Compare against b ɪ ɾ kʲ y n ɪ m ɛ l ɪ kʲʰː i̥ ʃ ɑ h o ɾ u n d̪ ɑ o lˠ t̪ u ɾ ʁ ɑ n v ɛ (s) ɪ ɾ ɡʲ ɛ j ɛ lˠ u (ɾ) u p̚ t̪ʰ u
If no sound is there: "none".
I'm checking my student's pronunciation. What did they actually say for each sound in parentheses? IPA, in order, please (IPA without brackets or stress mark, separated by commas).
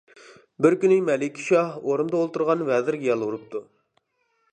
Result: z, ɾ